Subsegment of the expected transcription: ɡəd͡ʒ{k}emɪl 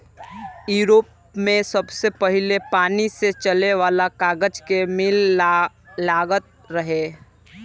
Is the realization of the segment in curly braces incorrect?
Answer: no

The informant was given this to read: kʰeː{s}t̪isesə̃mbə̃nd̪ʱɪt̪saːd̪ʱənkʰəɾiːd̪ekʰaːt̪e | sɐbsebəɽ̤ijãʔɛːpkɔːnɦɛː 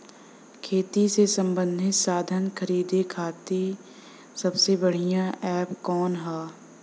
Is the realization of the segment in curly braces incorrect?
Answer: yes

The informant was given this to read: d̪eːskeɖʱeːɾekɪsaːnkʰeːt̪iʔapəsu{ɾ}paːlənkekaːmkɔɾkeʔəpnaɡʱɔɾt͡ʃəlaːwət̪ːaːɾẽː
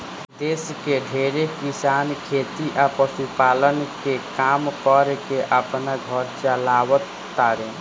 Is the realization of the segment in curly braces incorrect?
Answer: yes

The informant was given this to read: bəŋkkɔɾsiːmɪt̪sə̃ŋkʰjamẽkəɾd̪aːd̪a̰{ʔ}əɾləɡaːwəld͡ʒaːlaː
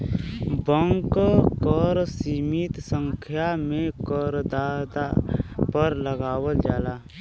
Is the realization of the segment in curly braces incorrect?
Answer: yes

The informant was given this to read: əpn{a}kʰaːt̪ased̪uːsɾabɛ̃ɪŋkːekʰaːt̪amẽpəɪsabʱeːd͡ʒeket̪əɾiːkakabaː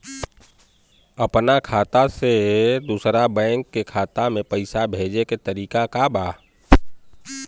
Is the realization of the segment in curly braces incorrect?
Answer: no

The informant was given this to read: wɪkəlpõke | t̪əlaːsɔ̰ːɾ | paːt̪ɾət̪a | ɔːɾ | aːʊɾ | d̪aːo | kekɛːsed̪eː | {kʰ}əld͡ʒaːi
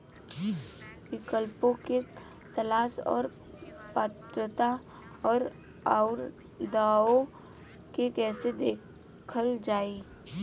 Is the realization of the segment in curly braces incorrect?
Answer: no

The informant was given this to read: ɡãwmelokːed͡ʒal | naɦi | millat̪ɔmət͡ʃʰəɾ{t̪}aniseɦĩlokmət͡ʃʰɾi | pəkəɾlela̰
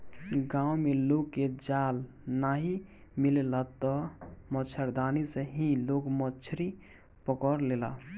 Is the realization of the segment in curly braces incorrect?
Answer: yes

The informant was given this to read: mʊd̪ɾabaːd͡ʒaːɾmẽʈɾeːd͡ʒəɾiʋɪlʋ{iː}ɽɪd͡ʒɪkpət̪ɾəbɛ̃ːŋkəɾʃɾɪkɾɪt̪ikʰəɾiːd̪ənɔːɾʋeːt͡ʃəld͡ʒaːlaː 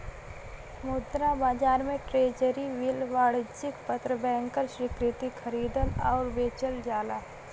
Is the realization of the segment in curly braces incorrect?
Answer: yes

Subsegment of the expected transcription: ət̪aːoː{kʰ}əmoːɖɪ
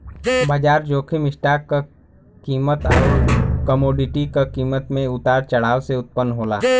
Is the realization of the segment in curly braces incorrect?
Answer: yes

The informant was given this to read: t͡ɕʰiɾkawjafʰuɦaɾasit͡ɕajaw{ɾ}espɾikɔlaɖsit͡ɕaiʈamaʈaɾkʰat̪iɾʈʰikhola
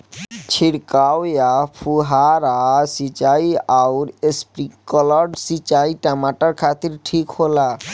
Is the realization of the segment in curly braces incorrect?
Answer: no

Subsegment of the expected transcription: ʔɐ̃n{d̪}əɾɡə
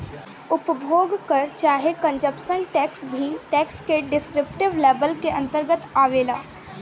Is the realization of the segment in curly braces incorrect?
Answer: yes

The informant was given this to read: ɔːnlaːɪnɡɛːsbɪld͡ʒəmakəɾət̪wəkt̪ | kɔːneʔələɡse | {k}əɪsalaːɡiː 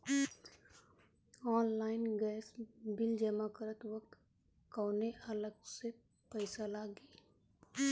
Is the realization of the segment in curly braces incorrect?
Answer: yes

